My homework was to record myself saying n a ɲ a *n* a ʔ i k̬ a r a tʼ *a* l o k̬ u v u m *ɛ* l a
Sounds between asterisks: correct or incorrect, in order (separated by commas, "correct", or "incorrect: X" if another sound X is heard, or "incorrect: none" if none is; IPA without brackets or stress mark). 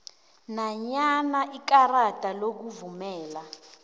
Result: correct, correct, incorrect: ɛː